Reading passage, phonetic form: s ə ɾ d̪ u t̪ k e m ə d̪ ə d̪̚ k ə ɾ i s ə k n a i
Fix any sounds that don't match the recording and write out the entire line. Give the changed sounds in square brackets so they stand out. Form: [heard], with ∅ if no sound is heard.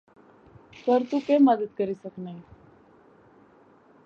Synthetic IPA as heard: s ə ɾ [t̪] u [∅] k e m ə d̪ ə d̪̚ k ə ɾ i s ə k n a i